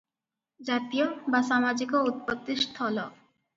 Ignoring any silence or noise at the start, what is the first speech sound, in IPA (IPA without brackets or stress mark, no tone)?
d͡ʑ